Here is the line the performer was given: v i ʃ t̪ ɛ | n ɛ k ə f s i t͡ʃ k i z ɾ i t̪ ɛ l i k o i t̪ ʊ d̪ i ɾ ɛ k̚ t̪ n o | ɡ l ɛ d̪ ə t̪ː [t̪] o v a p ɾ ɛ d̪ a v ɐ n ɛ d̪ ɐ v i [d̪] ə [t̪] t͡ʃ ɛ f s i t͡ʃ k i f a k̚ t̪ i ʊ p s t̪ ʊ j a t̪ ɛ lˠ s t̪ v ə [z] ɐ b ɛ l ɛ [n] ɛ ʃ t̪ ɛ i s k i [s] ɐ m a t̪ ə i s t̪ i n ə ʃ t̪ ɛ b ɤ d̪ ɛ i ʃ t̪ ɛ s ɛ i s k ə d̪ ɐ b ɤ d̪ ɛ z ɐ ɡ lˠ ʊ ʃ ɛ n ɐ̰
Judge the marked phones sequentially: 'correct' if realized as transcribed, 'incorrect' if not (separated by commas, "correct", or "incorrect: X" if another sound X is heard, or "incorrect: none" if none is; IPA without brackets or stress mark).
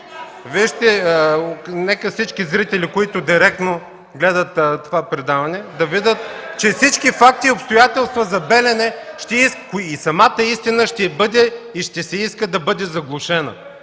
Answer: correct, correct, correct, correct, correct, correct